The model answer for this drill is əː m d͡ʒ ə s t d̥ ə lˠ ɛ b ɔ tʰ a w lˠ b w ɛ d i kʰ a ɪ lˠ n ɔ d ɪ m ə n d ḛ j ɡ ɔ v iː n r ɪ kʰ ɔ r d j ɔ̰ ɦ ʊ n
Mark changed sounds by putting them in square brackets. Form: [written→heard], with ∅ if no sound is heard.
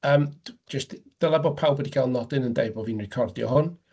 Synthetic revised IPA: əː m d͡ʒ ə s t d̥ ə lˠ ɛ b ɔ [tʰ→pʰ] a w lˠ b w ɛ d i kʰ a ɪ lˠ n ɔ d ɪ [m→n] ə n d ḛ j [ɡ→b] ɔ v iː n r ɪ kʰ ɔ r d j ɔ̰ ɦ ʊ n

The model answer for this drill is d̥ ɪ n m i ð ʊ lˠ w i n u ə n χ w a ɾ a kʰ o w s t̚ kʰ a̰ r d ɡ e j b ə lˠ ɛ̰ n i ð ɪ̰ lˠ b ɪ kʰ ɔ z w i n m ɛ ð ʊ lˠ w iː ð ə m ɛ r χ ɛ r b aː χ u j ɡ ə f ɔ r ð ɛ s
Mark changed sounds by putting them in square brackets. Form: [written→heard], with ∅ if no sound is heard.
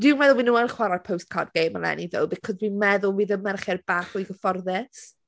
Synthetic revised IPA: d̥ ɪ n m [i→ɛ] ð ʊ lˠ w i n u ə n χ w a ɾ a [kʰ→pʰ] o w s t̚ kʰ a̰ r d ɡ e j [b→m] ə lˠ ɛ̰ n i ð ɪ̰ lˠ b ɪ kʰ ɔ z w i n m ɛ ð ʊ lˠ w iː ð ə m ɛ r χ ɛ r b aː χ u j ɡ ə f ɔ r ð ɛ s

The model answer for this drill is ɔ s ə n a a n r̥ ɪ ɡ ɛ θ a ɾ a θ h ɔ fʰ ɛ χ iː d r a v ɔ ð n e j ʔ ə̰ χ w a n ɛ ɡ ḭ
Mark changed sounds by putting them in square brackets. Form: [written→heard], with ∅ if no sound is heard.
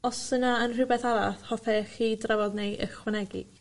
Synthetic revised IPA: ɔ s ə n a [a→ə] n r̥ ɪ [ɡ→b] ɛ θ a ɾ a θ h ɔ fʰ ɛ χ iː d r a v ɔ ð n e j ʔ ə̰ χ w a n ɛ ɡ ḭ

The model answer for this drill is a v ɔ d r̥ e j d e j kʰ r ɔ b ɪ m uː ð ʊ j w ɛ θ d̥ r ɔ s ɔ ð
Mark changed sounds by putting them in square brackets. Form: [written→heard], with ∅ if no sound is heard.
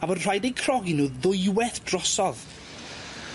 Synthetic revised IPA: a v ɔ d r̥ [e→a] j d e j kʰ r ɔ [b→ɡ] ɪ [m→n] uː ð ʊ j w ɛ θ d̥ r ɔ s ɔ ð

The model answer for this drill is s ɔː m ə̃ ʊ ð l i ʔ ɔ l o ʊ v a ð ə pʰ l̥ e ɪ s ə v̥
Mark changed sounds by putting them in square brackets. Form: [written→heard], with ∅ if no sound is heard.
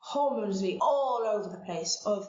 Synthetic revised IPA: [s→h] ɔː m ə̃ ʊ [ð→z] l i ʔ ɔ l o ʊ v [a→ə] ð ə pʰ l̥ e ɪ s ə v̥

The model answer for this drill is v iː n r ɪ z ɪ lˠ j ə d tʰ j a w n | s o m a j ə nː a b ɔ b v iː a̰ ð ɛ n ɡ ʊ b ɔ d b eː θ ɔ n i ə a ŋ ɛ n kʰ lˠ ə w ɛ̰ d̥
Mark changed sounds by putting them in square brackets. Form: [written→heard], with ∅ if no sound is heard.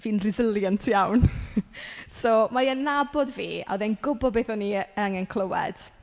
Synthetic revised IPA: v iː n r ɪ z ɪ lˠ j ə [d→n] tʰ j a w n | s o m a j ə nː a b ɔ [b→d] v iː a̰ ð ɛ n ɡ ʊ b ɔ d b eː θ ɔ n i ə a ŋ ɛ n kʰ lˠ ə w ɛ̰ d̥

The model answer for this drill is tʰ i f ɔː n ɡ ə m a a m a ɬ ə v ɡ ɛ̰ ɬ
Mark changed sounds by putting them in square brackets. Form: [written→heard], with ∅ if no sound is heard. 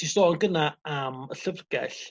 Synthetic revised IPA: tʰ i [f→s] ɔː n ɡ ə [m→n] a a m [a→ə] ɬ ə v ɡ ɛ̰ ɬ

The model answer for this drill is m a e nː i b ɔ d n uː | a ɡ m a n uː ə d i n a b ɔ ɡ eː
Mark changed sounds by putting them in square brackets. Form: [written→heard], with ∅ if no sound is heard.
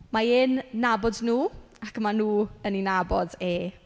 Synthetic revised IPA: m a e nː [i→a] b ɔ d n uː | a [ɡ→k] m a n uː ə [d→n] i n a b ɔ [ɡ→d] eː

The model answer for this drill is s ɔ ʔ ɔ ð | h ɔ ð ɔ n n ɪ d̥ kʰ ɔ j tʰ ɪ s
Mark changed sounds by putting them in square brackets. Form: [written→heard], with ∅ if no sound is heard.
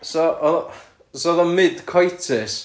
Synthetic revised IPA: s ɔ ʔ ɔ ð | [h→s] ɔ ð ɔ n [n→m] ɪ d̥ kʰ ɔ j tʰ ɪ s

